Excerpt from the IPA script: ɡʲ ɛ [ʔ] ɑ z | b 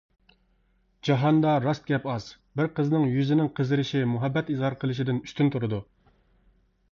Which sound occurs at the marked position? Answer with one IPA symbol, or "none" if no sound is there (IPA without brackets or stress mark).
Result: p